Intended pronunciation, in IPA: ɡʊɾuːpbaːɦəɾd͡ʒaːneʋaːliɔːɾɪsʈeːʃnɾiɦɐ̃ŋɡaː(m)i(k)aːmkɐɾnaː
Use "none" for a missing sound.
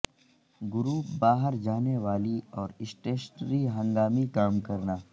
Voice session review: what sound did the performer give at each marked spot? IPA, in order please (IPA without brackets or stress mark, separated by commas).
m, k